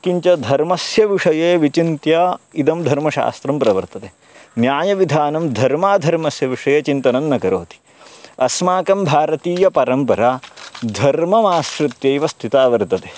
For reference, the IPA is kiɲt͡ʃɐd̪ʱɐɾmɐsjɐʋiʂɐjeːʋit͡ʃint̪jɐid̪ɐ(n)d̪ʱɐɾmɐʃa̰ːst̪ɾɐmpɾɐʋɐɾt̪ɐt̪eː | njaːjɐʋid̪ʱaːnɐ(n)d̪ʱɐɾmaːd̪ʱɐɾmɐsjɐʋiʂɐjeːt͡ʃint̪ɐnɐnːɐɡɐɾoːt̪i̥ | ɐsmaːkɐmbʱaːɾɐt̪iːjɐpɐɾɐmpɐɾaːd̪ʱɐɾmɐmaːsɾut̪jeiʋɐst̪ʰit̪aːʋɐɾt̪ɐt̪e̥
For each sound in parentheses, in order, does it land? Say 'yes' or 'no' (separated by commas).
no, no